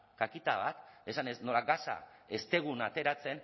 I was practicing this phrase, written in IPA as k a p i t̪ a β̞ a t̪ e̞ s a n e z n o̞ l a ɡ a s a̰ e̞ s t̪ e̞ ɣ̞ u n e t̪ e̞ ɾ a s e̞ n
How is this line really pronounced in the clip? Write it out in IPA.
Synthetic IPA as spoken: k a k i t̪ a β̞ a t̪ e̞ s a n e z n o̞ l a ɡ a s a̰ e̞ s t̪ e̞ ɣ̞ u n a t̪ e̞ ɾ a t͡s e̞ n